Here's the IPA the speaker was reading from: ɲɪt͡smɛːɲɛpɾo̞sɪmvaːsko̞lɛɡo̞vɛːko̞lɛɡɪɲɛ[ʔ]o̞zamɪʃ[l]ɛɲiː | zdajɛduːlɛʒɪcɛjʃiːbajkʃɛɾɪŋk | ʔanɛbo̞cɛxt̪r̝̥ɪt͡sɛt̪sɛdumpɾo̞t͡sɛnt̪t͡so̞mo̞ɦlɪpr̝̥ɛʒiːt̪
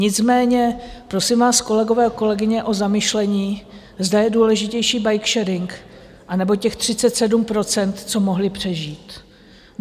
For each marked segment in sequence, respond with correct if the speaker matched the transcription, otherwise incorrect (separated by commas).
correct, correct